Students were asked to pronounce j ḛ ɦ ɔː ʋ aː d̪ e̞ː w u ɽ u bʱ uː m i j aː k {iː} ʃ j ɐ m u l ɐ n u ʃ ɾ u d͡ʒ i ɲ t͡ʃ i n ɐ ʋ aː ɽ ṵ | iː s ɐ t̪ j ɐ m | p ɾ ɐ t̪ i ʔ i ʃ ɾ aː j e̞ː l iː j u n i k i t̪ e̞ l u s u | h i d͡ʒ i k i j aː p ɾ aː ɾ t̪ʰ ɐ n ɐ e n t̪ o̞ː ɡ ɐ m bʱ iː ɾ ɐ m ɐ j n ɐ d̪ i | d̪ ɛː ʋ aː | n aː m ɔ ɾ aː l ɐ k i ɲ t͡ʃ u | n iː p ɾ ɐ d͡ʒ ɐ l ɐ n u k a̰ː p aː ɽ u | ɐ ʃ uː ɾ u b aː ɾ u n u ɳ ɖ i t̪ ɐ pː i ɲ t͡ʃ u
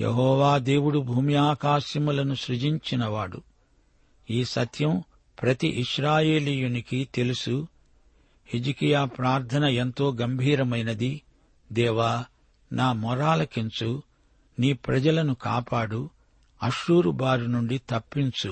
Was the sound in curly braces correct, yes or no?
no